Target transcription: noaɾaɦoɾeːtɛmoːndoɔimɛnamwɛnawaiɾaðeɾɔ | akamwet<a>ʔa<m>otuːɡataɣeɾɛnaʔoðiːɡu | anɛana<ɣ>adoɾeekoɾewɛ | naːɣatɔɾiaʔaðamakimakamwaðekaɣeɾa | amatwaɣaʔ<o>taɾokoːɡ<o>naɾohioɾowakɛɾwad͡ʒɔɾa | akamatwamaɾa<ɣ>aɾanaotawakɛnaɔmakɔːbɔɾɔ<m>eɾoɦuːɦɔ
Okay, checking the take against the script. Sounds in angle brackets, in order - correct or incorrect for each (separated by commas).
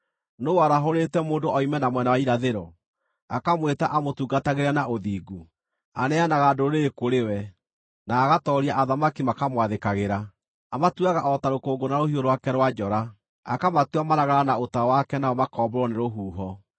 correct, correct, correct, incorrect, correct, correct, incorrect